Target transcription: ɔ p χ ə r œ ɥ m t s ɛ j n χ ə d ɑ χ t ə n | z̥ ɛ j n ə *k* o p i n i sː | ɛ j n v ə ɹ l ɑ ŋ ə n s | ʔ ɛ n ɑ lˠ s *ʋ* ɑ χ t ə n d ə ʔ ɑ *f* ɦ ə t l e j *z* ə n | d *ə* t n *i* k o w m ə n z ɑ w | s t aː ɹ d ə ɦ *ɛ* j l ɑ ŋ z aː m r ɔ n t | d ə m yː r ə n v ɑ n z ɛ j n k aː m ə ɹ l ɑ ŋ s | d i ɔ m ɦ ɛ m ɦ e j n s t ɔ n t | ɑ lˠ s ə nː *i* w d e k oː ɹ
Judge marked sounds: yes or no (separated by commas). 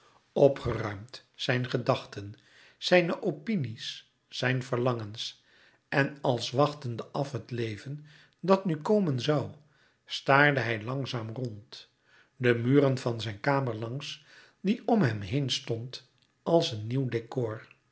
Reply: no, yes, yes, no, no, no, yes, yes